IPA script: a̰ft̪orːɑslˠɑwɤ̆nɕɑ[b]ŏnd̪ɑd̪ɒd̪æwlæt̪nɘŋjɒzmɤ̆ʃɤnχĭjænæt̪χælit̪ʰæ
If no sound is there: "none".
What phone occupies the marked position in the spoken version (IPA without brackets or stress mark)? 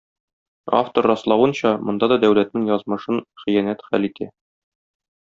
m